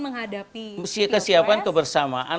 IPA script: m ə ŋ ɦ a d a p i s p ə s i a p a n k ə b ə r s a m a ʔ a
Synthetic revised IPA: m ə ŋ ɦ a d a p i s k ə s i a p a n k ə b ə r s a m a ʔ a